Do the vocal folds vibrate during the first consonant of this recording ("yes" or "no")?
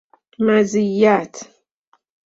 yes